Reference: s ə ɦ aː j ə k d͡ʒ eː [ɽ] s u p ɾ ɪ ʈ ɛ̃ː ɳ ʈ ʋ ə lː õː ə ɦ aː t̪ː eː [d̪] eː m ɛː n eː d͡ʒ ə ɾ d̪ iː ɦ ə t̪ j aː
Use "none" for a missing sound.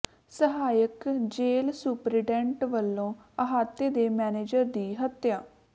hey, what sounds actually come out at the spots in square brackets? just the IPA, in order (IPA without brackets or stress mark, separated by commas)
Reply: l, d̪